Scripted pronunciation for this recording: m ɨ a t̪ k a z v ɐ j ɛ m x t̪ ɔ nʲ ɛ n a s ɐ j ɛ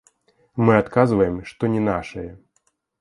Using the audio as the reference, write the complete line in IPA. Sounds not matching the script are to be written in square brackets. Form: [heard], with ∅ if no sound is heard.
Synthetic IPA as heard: m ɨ a t̪ k a z v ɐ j ɛ m [ʂ] t̪ ɔ nʲ ɛ n a [ʂ] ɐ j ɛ